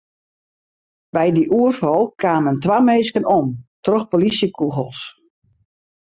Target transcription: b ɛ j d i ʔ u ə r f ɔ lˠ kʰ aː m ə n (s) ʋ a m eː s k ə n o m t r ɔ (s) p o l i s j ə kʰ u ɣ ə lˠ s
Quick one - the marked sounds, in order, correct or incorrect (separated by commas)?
incorrect, incorrect